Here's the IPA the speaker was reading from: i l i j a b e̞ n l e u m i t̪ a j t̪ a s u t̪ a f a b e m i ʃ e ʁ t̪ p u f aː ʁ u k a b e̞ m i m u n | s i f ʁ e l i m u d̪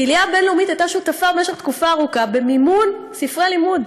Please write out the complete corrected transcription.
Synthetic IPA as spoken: i l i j a b e̞ n l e u m i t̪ a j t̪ a ʃ u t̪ a f a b e m e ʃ e χ t̪ k u f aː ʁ u k a b e̞ m i m u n | s i f ʁ e l i m u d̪

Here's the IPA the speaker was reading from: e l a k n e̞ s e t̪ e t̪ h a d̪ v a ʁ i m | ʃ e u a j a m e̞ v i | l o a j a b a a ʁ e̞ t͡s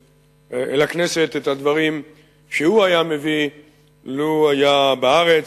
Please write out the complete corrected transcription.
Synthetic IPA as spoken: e l a k n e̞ s e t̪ e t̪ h a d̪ v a ʁ i m | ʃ e u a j a m e̞ v i | l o a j a b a a ʁ e̞ t͡s

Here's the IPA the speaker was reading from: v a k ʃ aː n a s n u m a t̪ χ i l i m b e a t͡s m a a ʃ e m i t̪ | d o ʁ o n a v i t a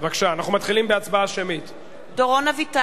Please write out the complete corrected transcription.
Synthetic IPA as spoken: v a k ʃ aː n a χ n u m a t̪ χ i l i m b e a t͡s b a a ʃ e m i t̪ | d o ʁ o n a v i t a

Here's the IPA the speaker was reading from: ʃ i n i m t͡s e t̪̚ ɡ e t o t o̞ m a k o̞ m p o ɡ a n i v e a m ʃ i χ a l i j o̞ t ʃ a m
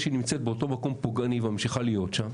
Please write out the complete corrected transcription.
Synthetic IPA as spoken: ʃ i n i m t͡s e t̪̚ b e o t o̞ m a k o̞ m p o ɡ a n i v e a m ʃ i χ a l i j o̞ t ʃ a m

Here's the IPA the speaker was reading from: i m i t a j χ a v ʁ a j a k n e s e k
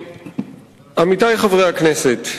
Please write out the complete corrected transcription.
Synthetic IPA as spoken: a m i t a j χ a v ʁ e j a k n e s e t

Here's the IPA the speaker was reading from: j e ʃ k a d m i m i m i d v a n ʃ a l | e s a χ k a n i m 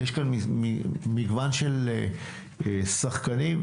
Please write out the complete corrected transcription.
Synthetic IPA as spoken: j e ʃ k a n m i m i m i ɡ v a n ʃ e l | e s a χ k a n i m

